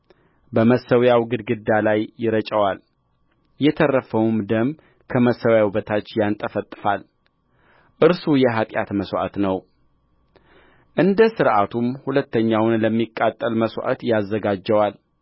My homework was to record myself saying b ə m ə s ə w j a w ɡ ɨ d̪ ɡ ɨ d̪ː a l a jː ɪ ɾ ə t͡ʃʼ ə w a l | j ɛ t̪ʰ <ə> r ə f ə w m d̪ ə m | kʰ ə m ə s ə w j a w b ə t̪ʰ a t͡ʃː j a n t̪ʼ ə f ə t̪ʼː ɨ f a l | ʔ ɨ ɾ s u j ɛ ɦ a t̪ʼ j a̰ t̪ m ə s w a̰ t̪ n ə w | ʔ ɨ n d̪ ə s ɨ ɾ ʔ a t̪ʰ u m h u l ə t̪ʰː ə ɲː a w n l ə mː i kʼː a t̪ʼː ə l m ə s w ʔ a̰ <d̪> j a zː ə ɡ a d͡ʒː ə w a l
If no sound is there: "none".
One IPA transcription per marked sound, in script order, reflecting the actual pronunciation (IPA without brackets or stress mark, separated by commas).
ə, t̪